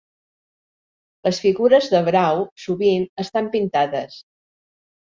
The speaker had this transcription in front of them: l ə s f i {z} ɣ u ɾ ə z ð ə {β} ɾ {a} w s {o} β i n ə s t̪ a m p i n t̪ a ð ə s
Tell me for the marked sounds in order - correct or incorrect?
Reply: incorrect, correct, correct, incorrect

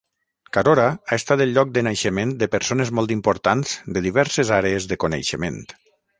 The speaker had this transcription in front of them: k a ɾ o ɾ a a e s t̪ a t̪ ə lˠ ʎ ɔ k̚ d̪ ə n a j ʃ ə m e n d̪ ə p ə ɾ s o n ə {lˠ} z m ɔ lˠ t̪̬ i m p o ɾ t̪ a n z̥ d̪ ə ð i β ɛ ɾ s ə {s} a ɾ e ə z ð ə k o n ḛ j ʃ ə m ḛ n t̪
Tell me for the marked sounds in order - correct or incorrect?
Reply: incorrect, incorrect

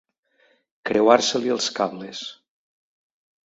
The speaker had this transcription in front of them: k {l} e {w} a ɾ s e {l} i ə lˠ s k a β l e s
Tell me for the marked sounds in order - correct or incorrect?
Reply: incorrect, correct, correct

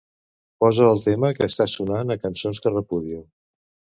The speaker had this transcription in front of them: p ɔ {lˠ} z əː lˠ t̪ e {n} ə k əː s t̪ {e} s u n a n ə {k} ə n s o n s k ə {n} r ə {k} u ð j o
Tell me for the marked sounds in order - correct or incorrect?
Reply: incorrect, incorrect, incorrect, correct, incorrect, incorrect

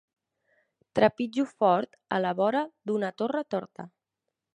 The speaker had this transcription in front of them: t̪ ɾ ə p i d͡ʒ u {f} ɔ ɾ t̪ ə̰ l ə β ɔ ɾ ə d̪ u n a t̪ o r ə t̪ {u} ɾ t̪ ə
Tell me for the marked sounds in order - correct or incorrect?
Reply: correct, incorrect

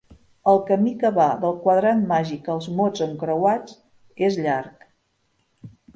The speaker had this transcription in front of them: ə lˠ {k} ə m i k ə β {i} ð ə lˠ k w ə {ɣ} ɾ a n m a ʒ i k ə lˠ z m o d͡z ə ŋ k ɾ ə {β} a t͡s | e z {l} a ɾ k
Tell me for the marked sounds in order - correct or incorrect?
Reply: correct, incorrect, incorrect, incorrect, incorrect

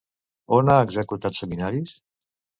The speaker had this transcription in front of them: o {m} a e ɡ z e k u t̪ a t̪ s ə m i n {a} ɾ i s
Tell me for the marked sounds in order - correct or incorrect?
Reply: incorrect, correct

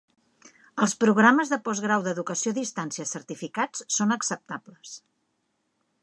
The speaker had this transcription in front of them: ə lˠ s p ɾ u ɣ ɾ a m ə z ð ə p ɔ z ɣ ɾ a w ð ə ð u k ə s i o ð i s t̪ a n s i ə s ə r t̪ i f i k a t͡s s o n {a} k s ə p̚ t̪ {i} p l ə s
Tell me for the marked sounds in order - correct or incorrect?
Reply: incorrect, incorrect

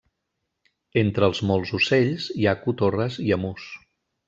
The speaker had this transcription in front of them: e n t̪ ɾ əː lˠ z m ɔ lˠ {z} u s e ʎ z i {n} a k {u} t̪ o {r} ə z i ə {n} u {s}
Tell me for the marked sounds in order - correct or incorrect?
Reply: correct, incorrect, correct, correct, incorrect, correct

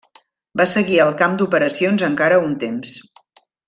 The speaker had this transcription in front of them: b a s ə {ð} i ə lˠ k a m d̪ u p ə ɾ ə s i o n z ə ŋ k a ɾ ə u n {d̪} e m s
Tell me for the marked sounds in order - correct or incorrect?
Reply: incorrect, incorrect

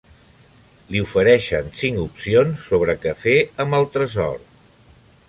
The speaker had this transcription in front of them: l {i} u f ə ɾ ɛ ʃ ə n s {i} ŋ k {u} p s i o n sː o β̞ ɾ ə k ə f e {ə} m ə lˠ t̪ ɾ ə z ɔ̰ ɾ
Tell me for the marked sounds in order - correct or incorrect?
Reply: correct, correct, correct, correct

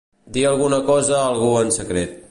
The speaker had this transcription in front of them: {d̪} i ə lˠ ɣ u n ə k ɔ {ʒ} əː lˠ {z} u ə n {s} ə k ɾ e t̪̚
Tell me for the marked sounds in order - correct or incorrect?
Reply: correct, incorrect, incorrect, correct

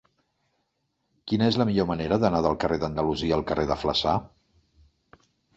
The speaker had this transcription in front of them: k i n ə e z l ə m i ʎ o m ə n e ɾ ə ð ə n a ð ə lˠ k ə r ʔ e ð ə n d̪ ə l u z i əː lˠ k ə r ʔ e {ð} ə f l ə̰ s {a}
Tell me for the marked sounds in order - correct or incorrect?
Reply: correct, correct

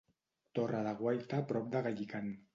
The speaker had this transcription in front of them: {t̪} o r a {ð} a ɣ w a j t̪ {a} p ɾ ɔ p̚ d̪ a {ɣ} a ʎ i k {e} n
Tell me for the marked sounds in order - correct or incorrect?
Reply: correct, correct, correct, correct, incorrect

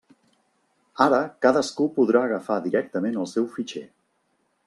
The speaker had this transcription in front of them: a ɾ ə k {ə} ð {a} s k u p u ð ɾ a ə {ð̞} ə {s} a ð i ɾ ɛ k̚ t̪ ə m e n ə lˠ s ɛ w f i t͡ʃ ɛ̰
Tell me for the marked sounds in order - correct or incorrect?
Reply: incorrect, incorrect, incorrect, incorrect

